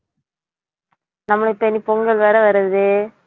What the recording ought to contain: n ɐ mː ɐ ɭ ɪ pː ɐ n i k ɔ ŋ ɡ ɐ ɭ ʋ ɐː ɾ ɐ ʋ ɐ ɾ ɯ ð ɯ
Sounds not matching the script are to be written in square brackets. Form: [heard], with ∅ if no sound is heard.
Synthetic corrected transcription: n ɐ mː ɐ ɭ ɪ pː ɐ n i [p] ɔ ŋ ɡ ɐ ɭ ʋ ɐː ɾ ɐ ʋ ɐ ɾ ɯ ð ɯ